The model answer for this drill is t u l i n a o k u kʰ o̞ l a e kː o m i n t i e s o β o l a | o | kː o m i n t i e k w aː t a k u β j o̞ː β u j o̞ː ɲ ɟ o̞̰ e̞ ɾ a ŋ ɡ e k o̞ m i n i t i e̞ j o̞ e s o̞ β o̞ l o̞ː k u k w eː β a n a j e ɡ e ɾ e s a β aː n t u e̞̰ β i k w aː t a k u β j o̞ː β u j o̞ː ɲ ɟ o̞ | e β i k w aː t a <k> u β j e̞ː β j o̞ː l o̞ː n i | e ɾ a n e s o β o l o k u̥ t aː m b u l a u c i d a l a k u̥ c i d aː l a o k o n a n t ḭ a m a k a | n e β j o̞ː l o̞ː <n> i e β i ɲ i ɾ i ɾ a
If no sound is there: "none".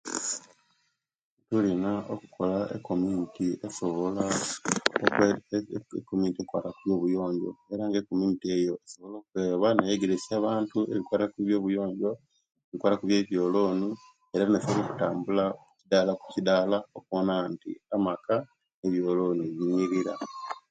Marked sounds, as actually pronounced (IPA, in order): k, n

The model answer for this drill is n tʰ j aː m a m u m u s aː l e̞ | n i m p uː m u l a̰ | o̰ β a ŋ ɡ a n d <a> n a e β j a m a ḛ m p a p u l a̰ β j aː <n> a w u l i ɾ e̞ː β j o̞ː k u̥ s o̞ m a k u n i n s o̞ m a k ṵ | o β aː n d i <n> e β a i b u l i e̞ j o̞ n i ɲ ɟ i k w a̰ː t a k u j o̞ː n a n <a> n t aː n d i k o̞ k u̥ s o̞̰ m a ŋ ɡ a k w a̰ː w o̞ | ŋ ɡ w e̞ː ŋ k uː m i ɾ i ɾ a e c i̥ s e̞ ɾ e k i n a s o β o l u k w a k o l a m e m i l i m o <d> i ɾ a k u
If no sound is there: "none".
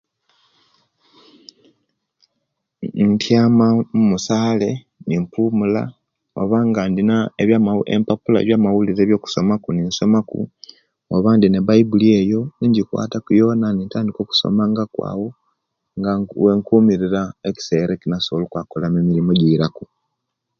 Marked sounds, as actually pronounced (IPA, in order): i, m, n, i, ɟ

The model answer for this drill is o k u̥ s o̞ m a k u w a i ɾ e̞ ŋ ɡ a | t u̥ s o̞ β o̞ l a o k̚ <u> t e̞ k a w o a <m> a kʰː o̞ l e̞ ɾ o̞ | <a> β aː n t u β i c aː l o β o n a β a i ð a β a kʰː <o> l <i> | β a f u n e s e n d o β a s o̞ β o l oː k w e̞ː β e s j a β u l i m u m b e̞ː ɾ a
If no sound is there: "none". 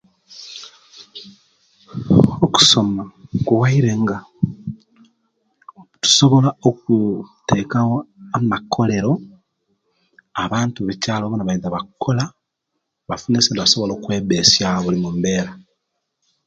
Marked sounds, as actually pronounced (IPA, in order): u, m, a, o, a

